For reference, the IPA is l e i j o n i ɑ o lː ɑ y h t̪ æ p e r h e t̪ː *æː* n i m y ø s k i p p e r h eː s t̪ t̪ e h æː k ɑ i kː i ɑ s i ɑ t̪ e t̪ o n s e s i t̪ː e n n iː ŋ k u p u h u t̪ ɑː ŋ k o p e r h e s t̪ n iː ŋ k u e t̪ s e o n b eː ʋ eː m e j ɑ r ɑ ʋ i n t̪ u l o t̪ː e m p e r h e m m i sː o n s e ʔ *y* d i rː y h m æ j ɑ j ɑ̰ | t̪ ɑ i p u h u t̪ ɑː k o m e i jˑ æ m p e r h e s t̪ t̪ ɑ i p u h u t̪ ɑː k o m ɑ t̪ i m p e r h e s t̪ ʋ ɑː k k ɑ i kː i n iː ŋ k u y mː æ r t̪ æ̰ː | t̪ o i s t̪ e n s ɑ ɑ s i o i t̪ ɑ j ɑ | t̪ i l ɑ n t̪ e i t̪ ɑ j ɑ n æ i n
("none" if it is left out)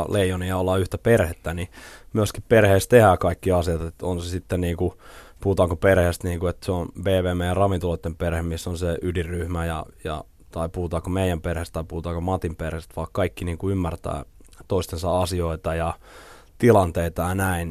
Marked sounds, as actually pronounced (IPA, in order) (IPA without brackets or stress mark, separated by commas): æ, y